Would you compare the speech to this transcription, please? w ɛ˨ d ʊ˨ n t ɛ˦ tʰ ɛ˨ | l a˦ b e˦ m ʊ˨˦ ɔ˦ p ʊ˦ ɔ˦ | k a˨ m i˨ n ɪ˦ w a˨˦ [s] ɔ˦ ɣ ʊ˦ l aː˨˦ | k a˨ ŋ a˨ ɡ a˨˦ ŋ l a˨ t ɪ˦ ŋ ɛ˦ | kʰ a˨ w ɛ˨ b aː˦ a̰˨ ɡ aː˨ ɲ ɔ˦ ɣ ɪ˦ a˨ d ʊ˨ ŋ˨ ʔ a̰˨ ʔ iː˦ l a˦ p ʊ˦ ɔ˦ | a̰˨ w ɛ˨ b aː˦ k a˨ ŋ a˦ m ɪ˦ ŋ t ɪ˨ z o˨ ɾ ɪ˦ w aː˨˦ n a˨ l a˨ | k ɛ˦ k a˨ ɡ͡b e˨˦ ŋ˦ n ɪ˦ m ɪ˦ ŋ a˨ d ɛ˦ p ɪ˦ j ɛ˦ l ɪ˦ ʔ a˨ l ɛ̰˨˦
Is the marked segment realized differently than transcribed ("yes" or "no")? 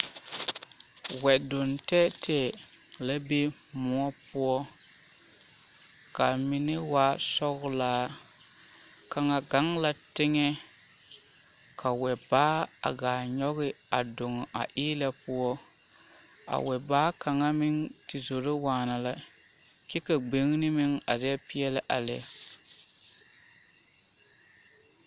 no